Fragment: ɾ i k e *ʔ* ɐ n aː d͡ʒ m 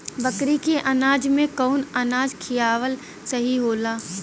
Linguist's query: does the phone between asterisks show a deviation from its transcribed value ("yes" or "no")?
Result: no